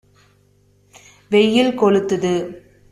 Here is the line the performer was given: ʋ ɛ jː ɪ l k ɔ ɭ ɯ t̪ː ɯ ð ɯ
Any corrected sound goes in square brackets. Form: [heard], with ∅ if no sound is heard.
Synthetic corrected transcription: ʋ ɛ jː ɪ l k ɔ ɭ ɯ t̪ː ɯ ð ɯ